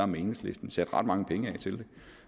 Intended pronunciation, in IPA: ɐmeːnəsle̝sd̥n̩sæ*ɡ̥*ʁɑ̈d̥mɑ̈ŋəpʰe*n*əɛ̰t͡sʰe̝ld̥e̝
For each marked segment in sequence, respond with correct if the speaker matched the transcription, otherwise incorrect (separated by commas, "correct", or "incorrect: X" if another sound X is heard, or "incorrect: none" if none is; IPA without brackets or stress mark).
incorrect: d̥, incorrect: ŋ